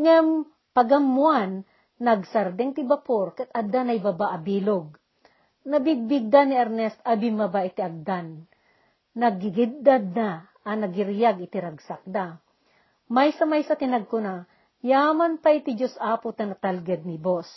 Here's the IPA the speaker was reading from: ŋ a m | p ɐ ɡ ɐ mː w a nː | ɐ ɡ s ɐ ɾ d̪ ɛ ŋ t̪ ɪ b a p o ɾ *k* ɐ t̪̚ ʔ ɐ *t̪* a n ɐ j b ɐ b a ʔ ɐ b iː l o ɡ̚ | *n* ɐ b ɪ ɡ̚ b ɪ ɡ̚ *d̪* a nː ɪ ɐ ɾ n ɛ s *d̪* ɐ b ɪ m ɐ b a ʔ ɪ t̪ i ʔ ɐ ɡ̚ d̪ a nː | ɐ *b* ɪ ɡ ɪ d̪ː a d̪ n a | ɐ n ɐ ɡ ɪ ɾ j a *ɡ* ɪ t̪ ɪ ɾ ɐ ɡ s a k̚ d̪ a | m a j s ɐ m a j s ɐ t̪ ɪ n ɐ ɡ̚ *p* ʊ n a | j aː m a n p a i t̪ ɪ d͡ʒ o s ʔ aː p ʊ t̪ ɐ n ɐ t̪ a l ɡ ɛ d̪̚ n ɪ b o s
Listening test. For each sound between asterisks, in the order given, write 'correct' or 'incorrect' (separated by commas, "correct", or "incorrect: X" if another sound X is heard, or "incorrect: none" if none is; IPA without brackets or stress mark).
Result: correct, incorrect: d̪, correct, correct, incorrect: t̪, incorrect: ɡ, correct, incorrect: k